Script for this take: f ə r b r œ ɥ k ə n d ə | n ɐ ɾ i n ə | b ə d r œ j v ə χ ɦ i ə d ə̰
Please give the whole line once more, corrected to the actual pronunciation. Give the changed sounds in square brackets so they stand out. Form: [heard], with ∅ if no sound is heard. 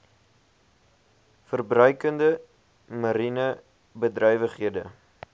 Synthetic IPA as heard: f ə r b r œ ɥ k ə n d ə | [m] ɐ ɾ i n ə | b ə d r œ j v ə χ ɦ i ə d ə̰

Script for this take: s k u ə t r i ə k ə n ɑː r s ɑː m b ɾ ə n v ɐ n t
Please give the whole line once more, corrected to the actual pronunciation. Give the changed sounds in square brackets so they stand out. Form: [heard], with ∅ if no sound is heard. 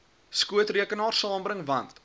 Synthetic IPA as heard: s k u ə t r i ə k ə n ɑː r s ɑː m b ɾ ə [ŋ] v ɐ n t

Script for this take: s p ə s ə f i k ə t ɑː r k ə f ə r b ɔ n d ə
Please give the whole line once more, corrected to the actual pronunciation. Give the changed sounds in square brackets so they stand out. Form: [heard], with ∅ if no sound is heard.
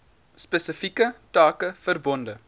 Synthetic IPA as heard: s p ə s ə f i k ə t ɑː [∅] k ə f ə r b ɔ n d ə

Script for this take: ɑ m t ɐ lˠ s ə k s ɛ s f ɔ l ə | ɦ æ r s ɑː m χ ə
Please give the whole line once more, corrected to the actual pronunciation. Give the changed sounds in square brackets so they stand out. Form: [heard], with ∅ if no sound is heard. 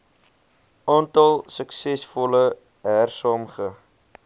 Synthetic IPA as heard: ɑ [n] t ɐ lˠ s ə k s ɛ s f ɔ l ə | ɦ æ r s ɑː m χ ə

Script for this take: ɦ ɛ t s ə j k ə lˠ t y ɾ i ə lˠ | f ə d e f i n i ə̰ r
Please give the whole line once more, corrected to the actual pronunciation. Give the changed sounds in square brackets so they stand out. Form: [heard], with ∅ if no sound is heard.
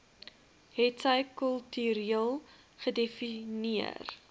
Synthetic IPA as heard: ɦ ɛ t s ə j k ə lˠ t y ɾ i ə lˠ | [χ] ə d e f i n i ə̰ r

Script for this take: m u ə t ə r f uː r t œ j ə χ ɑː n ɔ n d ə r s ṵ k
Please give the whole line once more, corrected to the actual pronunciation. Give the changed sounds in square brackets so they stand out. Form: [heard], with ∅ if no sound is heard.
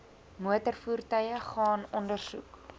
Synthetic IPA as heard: m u ə t ə r f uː r t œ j ə χ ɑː n ɔ n d ə r s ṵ k

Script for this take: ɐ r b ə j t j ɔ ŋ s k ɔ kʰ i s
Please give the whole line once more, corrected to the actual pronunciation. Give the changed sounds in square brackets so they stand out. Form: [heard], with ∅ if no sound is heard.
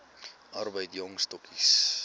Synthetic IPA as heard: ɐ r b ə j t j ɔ ŋ s [t] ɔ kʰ i s

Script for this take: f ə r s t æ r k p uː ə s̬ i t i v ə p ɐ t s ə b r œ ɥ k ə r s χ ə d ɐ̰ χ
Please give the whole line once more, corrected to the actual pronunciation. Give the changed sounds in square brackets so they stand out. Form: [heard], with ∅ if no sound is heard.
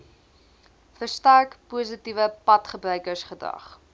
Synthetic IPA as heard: f ə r s t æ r k p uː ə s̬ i t i v ə p ɐ t [χ] ə b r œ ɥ k ə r s χ ə d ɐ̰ χ

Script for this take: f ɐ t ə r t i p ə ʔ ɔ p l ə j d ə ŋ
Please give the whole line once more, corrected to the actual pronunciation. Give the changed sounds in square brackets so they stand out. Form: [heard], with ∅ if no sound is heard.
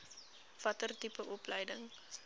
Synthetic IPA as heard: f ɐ t ə r t i p ə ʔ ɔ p l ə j d ə ŋ

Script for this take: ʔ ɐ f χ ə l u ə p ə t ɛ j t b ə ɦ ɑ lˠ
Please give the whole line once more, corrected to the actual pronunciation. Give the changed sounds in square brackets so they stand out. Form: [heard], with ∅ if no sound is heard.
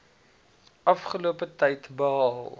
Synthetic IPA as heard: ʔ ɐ f χ ə l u ə p ə t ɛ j t b ə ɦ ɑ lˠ

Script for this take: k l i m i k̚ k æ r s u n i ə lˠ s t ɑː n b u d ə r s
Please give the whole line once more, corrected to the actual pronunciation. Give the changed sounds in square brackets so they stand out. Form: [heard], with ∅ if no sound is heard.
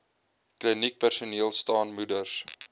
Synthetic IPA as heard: k l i [n] i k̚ [p] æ r s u n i ə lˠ s t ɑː n [m] u d ə r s

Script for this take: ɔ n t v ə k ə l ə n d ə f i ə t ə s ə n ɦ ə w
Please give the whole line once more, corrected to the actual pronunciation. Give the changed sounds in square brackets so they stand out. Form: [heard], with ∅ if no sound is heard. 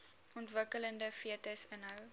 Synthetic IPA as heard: ɔ n t v ə k ə l ə n d ə f i ə t ə s ə n ɦ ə w

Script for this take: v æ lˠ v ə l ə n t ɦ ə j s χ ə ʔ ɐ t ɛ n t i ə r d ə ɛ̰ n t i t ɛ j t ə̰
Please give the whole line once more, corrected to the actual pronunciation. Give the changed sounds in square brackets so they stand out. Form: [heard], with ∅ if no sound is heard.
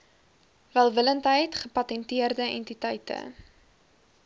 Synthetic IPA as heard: v æ lˠ v ə l ə n t ɦ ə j [t] χ ə [p] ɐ t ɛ n t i ə r d ə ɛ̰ n t i t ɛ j t ə̰

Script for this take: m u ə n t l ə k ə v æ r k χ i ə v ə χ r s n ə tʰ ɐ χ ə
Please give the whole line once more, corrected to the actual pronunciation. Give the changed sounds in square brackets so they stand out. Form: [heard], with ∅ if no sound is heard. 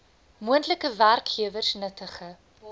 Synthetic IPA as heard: m u ə n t l ə k ə v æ r k χ i ə v ə [∅] r s n ə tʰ [ə] χ ə

